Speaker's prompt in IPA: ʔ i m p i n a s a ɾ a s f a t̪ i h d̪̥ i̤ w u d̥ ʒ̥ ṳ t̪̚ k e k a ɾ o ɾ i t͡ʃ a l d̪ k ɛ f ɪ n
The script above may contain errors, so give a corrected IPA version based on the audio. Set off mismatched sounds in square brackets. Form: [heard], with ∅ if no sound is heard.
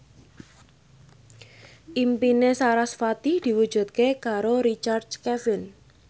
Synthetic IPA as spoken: ʔ i m p i n [e] s a ɾ a s f a t̪ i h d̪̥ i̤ w u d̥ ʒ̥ ṳ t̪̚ k e k a ɾ o ɾ i t͡ʃ a [r] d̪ k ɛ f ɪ n